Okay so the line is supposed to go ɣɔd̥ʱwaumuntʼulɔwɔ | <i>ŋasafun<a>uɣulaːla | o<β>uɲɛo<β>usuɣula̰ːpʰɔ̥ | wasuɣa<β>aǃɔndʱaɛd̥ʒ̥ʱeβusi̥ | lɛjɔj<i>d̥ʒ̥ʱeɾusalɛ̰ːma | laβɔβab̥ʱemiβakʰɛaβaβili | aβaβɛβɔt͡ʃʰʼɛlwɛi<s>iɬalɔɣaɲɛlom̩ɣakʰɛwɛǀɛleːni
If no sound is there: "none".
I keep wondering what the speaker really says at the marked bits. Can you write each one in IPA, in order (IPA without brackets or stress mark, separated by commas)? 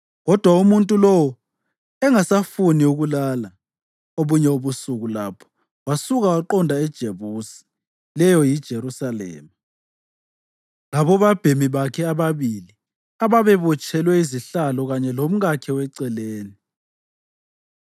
ɛ, i, β, β, w, i, z